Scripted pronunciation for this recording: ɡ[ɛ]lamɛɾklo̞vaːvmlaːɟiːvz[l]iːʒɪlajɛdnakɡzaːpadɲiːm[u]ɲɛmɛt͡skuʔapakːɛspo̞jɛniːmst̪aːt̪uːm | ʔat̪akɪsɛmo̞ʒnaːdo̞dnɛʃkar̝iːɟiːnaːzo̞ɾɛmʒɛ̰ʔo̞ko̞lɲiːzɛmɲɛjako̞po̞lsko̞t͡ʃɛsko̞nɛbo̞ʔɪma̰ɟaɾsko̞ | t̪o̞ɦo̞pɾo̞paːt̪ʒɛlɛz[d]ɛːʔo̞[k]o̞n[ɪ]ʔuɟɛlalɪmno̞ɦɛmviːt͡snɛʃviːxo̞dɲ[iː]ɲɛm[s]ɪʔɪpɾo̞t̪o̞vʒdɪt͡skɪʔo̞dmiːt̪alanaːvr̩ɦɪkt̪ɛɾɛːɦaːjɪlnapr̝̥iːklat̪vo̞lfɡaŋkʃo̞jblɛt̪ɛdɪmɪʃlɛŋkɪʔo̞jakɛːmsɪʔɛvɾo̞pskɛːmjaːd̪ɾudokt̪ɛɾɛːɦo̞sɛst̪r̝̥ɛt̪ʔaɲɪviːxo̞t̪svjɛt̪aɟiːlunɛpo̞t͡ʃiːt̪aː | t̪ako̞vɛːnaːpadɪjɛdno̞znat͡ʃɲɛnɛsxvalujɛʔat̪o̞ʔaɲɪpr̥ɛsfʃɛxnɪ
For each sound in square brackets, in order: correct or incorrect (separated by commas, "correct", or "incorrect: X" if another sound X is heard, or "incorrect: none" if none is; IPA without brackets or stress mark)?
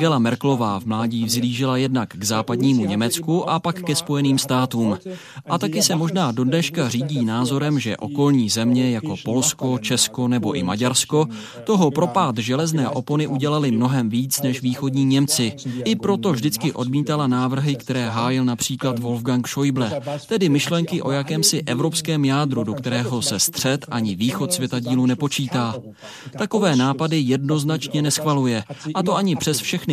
correct, correct, correct, incorrect: n, incorrect: p, correct, correct, incorrect: t͡s